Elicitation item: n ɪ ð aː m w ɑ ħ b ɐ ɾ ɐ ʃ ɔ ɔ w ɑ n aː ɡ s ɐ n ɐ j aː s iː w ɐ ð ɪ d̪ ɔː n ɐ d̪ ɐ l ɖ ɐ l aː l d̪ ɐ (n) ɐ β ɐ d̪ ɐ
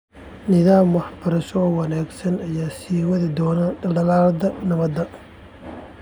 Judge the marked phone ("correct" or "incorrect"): correct